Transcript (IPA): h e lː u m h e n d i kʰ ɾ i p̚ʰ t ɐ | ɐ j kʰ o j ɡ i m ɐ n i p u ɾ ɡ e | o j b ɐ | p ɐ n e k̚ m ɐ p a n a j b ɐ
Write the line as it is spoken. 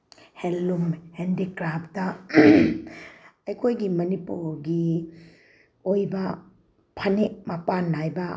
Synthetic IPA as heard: h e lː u m h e n d i k ɾ a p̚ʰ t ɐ | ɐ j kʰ o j ɡ i m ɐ n i p u ɾ ɡ i | o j b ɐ | pʰ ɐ n e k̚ m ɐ p a n a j b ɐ